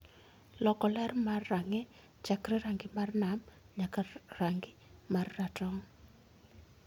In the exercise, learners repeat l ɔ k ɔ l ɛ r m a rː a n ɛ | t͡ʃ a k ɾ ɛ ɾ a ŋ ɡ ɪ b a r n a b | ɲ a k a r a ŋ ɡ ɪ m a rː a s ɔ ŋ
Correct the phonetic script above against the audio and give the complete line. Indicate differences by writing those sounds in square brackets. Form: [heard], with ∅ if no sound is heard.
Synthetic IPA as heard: l ɔ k ɔ l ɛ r m a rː a [ŋ] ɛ | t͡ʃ a k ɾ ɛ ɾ a ŋ ɡ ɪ [m] a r n a [m] | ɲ a k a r a ŋ ɡ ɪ m a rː a [t] ɔ ŋ